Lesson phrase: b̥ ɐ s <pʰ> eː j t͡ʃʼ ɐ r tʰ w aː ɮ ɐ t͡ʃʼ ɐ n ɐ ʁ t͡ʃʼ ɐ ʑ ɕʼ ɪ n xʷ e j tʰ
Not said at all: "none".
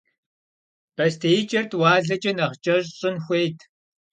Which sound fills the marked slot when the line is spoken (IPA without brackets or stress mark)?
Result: tʰ